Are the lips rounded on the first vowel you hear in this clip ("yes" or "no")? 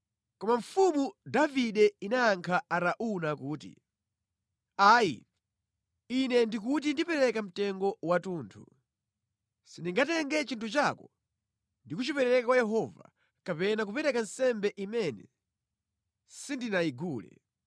yes